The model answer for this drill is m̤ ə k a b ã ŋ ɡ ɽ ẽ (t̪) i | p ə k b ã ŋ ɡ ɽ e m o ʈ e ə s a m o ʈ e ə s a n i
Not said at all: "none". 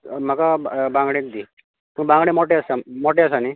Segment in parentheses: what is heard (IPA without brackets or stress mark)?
d̪